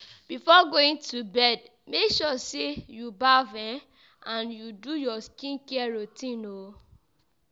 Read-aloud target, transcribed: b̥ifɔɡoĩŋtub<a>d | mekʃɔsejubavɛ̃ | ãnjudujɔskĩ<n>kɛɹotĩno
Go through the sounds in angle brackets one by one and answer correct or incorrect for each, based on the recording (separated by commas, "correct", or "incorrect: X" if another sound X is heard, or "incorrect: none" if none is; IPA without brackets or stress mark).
incorrect: ɛ, correct